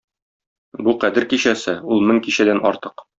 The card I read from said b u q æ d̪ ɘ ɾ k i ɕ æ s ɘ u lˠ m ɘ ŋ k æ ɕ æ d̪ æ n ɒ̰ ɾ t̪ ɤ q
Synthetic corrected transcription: b u q æ d̪ ɘ ɾ k i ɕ æ s ɘ u lˠ m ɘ ŋ k i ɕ æ d̪ æ n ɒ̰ ɾ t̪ ɤ q